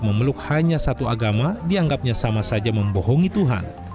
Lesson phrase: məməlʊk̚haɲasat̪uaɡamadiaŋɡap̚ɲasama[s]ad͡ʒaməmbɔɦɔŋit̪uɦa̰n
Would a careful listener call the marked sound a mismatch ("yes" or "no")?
no